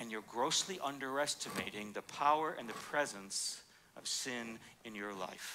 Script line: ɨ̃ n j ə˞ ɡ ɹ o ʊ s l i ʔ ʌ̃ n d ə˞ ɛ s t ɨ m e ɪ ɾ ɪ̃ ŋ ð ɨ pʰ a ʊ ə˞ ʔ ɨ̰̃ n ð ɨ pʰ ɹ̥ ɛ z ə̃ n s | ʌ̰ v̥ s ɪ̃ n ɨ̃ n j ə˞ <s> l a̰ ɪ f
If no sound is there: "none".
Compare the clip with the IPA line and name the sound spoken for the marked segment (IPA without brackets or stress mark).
none